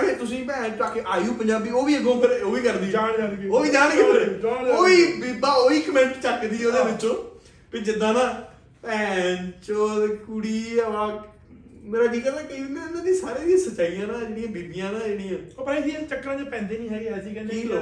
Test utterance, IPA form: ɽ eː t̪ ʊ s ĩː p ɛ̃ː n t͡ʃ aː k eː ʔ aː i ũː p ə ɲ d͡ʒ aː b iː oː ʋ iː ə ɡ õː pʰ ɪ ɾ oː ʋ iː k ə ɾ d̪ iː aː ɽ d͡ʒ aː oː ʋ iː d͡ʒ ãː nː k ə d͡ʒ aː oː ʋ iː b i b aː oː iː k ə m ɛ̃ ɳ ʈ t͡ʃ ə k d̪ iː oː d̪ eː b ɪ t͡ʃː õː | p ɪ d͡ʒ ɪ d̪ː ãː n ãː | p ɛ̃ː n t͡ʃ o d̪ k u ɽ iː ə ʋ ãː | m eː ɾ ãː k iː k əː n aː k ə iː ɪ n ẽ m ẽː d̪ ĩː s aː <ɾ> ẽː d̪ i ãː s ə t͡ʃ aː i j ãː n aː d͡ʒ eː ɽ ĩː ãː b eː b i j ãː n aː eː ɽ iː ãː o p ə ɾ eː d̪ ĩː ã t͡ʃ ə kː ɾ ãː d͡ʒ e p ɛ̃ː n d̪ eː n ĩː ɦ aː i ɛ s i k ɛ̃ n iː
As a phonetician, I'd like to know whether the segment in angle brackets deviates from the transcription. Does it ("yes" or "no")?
no